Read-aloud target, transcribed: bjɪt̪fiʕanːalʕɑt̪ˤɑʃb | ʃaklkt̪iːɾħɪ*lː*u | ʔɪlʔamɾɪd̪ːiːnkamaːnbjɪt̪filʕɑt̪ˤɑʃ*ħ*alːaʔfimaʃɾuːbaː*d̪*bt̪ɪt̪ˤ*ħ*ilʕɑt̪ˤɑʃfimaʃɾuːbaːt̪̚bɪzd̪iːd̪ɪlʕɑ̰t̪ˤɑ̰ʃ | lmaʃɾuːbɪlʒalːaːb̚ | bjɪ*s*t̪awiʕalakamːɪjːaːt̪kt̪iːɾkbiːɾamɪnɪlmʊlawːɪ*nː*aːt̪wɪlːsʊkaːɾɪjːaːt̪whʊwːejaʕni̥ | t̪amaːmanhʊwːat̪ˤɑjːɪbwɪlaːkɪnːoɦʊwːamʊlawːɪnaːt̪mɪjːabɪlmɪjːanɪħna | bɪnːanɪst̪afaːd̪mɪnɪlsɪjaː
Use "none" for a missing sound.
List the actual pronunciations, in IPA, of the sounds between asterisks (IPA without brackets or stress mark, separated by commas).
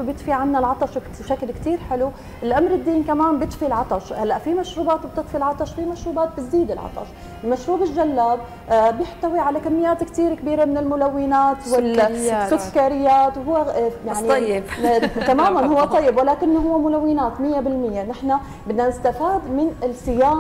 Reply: l, h, t̪, f, ħ, n